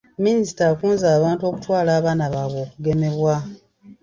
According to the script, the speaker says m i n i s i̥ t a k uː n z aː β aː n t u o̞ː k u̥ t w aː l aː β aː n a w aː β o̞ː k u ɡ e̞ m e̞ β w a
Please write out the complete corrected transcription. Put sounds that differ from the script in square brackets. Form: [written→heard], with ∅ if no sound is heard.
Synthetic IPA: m i n i s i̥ t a k uː n z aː β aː n t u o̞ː k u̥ t w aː l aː β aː n a [w→β] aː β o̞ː k u ɡ e̞ m e̞ β w a